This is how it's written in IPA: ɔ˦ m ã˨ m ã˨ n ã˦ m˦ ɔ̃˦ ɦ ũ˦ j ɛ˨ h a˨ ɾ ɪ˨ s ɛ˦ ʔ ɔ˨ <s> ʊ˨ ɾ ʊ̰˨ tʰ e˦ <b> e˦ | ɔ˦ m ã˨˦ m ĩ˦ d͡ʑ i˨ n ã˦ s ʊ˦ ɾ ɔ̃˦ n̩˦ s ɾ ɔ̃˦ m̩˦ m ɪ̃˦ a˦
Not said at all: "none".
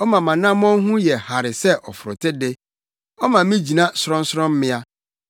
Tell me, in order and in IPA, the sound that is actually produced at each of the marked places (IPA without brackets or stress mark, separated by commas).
f, d